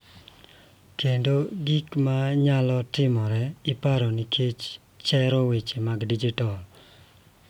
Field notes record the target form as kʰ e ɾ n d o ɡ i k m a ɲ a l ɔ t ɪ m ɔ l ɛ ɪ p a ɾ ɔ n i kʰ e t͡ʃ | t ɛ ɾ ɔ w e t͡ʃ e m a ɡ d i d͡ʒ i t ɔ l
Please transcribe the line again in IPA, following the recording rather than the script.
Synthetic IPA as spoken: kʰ e n d o ɡ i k m a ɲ a l ɔ t ɪ m ɔ ɾ ɛ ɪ p a ɾ ɔ n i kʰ e t͡ʃ | t͡ʃ ɛ ɾ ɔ w e t͡ʃ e m a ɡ d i d͡ʒ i t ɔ l